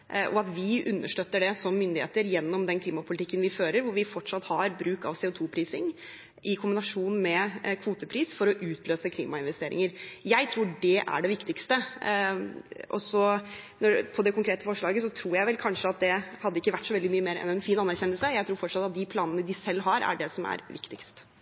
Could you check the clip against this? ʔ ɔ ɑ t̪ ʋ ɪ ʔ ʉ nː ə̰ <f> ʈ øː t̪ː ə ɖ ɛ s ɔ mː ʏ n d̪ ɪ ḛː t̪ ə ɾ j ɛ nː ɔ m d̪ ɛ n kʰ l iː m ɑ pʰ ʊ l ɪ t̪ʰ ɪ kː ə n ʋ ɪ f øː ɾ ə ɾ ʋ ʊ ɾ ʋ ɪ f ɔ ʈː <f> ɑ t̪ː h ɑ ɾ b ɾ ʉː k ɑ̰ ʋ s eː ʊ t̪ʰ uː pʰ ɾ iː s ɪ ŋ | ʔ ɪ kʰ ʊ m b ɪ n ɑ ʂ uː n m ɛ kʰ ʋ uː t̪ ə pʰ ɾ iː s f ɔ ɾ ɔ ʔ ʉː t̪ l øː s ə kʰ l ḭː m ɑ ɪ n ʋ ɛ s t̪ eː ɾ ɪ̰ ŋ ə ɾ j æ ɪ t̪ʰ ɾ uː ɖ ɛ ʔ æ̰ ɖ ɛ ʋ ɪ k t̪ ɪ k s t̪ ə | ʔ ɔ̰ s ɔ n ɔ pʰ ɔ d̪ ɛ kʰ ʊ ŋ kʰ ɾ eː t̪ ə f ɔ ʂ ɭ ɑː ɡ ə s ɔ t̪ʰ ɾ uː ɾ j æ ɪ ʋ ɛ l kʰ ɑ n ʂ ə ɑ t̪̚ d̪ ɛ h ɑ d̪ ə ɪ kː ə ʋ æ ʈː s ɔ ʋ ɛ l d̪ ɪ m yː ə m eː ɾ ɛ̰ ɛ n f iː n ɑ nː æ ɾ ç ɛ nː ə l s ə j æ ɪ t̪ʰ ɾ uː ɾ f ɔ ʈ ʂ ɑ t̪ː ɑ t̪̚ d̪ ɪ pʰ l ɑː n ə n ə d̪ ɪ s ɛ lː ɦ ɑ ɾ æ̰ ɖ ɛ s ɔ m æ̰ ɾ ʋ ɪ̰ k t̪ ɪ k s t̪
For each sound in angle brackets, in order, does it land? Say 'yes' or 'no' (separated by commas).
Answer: no, no